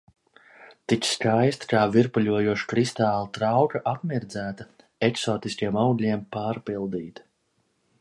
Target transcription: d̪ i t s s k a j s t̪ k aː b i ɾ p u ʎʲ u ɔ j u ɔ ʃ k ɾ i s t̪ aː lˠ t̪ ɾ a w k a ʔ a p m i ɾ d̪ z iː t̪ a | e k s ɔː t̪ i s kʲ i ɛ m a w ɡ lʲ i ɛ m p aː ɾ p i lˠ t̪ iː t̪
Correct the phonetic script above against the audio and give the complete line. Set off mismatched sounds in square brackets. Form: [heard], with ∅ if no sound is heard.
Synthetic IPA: [t̪] i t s s k a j s t̪ k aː [v] i ɾ p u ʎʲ u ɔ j u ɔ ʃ k ɾ i s t̪ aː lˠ t̪ ɾ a w k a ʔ a p m i ɾ d̪ z [æː] t̪ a | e k s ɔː t̪ i s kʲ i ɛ m a w ɡ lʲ i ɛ m p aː ɾ p i lˠ [d̪] iː t̪